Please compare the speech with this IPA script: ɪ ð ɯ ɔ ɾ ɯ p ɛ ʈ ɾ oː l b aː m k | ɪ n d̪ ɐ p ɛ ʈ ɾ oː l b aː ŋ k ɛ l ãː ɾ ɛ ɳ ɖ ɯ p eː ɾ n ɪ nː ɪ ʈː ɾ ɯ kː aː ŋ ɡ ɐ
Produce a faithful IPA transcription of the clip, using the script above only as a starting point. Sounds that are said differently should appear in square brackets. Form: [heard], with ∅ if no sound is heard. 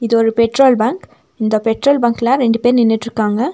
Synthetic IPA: ɪ ð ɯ ɔ ɾ ɯ p ɛ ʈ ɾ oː l b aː [ŋ] k | ɪ n d̪ ɐ p ɛ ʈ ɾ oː l b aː ŋ k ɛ l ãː ɾ ɛ ɳ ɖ ɯ p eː ɾ n ɪ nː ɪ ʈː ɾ ɯ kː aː ŋ ɡ ɐ